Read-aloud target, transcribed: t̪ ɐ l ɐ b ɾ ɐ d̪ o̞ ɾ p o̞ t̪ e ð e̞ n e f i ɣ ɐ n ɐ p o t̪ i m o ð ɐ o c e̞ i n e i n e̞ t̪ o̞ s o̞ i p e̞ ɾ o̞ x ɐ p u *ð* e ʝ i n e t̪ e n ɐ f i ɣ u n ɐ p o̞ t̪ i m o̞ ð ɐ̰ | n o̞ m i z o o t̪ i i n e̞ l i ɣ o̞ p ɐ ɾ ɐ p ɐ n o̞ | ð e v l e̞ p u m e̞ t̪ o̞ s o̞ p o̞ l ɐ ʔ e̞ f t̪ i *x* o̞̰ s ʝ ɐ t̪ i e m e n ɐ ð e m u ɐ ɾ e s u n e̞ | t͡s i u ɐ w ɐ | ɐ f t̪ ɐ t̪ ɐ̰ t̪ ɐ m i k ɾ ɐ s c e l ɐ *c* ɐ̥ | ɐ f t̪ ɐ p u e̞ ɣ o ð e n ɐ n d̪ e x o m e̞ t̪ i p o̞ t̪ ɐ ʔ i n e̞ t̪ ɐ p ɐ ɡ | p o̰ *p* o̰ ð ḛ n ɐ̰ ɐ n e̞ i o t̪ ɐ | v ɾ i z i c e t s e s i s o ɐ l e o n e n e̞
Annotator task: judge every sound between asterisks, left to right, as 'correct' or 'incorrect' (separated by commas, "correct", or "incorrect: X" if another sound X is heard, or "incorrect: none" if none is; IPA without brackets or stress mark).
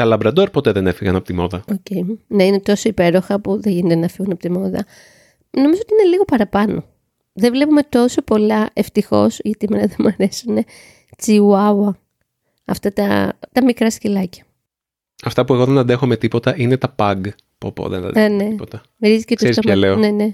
correct, correct, correct, correct